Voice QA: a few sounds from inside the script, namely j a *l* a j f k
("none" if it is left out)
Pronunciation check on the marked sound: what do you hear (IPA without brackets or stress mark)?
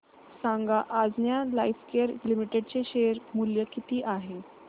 l